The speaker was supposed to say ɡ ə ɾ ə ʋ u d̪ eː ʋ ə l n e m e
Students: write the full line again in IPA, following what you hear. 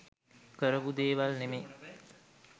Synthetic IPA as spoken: k ə ɾ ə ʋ u d̪ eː ʋ a l n e m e